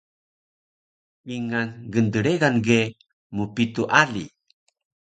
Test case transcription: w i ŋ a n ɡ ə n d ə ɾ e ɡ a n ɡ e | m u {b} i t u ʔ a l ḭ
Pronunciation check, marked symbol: incorrect: p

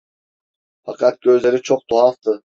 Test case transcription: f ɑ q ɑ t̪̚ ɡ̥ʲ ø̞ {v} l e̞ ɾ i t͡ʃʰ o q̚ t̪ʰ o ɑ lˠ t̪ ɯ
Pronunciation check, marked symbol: incorrect: z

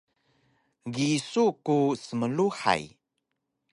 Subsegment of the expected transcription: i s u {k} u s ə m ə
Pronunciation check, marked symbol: correct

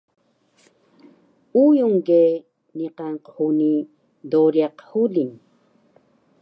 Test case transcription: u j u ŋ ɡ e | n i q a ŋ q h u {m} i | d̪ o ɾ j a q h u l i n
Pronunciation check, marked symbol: incorrect: n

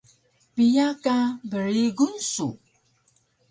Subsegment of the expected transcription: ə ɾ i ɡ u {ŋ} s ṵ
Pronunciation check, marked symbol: incorrect: n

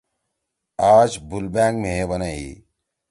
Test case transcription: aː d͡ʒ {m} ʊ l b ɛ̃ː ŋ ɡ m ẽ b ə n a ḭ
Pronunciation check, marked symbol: incorrect: b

